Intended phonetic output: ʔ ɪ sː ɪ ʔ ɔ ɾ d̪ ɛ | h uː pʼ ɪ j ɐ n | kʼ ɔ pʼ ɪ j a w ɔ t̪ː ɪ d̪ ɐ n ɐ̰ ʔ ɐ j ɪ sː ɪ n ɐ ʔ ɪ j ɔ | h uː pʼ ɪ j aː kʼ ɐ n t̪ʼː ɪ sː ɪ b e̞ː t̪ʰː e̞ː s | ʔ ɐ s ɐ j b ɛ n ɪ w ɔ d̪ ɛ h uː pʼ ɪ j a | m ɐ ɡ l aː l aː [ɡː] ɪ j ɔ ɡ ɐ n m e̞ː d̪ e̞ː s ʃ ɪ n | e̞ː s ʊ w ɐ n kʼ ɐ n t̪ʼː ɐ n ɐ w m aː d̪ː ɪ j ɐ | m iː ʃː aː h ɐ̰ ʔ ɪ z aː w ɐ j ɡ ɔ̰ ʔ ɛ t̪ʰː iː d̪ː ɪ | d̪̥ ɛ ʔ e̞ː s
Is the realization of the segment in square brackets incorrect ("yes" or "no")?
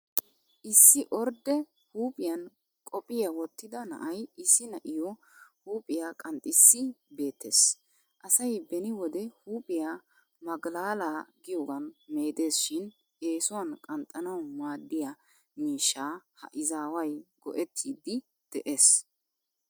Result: yes